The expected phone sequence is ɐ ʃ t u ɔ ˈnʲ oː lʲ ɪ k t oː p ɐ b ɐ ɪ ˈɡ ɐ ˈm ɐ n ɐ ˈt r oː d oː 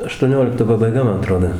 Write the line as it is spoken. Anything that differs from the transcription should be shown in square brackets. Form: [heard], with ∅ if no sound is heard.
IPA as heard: ɐ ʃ t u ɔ ˈnʲ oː lʲ ɪ k t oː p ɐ b ɐ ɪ ˈɡ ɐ ˈm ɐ n ɐ ˈt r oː d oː